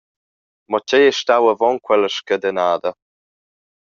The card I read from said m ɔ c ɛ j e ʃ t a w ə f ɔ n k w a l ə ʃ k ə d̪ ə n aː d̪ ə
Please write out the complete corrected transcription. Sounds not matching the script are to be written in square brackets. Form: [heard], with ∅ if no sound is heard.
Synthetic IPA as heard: m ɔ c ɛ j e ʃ t a w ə [v] ɔ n k w [ɛ] l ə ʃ k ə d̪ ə n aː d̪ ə